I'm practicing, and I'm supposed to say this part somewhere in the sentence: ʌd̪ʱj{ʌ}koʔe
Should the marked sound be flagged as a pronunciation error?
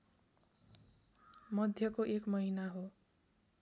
no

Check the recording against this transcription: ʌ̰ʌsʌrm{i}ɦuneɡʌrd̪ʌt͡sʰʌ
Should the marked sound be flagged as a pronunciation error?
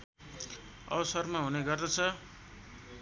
yes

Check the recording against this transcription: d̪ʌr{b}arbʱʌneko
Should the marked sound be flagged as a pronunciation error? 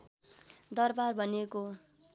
no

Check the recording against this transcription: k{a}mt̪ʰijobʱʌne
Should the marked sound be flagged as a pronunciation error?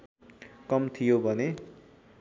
yes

